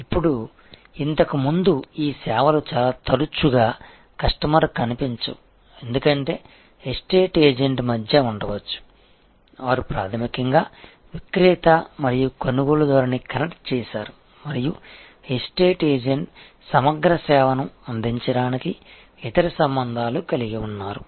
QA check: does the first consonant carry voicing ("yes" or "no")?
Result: no